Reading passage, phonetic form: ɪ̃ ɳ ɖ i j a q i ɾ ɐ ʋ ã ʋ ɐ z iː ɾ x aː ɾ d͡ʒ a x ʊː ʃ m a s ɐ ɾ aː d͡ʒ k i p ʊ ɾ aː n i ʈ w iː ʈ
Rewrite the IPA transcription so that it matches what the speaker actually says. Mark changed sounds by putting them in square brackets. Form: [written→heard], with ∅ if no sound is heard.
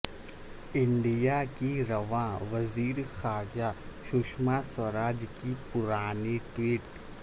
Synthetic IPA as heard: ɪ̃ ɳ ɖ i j a [q→k] i ɾ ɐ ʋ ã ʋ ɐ z iː ɾ x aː ɾ d͡ʒ a [x→ʃ] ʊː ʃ m a s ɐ ɾ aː d͡ʒ k i p ʊ ɾ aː n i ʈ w iː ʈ